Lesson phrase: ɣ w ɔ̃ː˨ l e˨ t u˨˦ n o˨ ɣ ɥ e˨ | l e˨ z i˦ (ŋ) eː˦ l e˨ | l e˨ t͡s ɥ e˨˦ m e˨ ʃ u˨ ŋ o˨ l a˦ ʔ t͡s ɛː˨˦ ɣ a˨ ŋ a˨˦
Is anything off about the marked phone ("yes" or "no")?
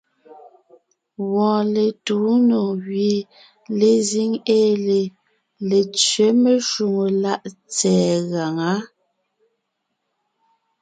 no